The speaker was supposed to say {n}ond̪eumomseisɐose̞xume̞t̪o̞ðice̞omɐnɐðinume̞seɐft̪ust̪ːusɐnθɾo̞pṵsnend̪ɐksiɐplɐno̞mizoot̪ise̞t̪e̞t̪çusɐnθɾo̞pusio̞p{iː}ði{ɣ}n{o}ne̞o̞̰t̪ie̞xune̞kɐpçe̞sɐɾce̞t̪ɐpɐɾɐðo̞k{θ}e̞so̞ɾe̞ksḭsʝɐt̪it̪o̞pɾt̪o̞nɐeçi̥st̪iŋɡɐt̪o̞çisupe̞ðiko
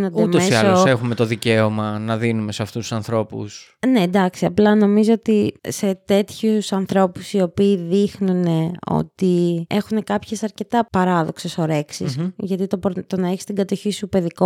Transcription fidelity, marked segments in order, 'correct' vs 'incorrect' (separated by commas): correct, correct, incorrect, incorrect, incorrect